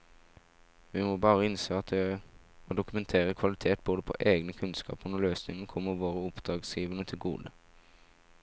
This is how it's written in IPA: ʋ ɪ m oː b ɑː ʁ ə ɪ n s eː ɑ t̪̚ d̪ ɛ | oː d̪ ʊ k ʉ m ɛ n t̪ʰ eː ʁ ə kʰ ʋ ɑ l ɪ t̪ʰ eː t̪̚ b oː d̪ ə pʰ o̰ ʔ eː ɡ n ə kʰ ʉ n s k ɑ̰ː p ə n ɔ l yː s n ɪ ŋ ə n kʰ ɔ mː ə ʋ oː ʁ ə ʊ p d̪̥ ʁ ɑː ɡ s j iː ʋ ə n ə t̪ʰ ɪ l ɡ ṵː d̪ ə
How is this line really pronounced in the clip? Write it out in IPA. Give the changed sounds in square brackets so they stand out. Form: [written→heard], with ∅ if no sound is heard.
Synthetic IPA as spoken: ʋ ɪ m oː b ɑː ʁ ə ɪ n s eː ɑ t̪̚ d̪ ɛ | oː d̪ ʊ k ʉ m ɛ n t̪ʰ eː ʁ ə kʰ ʋ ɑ l ɪ t̪ʰ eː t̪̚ b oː d̪ ə pʰ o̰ ʔ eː ɡ n ə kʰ ʉ n s k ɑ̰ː p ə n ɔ l [yː→øː] s n ɪ ŋ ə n kʰ ɔ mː ə ʋ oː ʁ ə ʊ p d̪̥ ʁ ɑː ɡ s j iː ʋ ə n ə t̪ʰ ɪ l ɡ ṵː d̪ ə